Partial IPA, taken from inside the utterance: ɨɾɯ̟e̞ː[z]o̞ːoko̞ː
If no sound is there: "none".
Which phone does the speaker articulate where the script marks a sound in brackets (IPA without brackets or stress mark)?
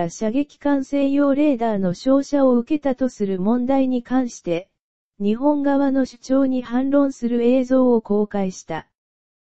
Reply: z